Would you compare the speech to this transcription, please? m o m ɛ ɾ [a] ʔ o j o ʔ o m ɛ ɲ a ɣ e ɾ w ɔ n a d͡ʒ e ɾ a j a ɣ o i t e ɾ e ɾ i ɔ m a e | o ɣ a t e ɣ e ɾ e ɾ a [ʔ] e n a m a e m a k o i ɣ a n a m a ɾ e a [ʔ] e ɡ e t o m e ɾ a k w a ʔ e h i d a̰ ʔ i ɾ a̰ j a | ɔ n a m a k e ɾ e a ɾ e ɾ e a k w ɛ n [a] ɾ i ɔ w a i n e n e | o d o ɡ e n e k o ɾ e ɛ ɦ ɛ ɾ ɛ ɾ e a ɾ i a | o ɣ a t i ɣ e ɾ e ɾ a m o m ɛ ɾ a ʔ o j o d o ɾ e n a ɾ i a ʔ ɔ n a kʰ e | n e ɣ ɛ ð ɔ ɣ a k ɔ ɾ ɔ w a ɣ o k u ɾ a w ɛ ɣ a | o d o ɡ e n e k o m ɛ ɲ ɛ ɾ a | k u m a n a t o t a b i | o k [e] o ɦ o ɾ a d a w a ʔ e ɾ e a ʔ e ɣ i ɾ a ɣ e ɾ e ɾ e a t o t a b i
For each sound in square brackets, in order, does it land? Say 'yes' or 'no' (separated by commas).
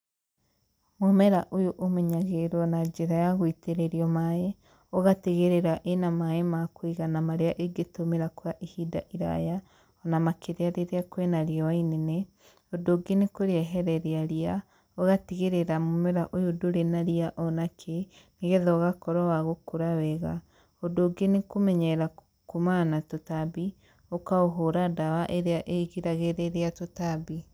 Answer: yes, yes, yes, yes, no